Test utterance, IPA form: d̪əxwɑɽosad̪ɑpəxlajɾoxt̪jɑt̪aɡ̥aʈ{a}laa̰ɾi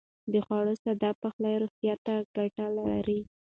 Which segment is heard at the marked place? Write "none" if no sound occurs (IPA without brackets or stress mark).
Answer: a